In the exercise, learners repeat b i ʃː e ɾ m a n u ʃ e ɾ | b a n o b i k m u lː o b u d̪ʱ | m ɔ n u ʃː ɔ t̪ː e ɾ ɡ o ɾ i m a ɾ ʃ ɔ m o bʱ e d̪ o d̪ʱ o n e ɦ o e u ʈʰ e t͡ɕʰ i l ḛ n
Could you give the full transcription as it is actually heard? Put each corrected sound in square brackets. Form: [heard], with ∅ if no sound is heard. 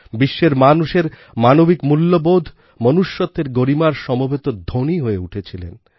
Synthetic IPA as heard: b i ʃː e ɾ m a n u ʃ e ɾ | [m] a n o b i k m u lː o b [o] d̪ʱ | m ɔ n u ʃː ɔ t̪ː e ɾ ɡ o ɾ i m a ɾ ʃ ɔ m o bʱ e [t̪] o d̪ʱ o n [i] ɦ o e u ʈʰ e t͡ɕʰ i l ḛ n